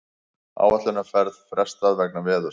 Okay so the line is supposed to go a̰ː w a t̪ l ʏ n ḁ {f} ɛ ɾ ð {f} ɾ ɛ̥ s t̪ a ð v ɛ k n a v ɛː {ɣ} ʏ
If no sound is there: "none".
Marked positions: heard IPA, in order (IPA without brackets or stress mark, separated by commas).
f, f, ð